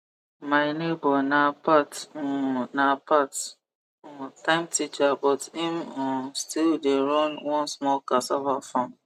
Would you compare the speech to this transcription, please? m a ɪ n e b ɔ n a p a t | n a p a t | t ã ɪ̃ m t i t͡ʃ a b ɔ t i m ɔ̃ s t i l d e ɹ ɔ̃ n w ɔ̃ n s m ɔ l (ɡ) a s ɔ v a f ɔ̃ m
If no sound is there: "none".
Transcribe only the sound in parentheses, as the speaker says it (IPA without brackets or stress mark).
k